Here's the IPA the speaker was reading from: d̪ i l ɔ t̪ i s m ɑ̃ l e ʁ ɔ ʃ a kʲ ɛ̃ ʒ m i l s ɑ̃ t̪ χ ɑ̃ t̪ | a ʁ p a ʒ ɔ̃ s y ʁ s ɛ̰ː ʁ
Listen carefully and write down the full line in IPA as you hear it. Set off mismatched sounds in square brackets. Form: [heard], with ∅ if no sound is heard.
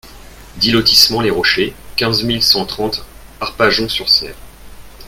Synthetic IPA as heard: d̪ i l ɔ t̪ i s m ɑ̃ l e ʁ ɔ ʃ [e] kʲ ɛ̃ [z] m i l s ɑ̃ t̪ χ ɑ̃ t̪ | a ʁ p a ʒ ɔ̃ s y ʁ s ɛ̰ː ʁ